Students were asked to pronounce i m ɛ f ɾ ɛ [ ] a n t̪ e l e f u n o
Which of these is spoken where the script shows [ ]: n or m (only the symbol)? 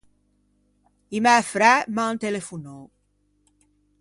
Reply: m